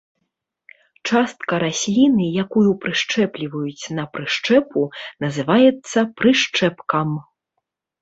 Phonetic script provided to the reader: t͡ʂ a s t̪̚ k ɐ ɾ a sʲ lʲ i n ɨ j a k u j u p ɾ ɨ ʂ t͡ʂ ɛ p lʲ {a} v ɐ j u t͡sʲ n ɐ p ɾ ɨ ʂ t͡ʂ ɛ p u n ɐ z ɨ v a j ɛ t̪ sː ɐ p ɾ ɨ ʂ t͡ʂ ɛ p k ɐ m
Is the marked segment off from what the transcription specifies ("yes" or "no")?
yes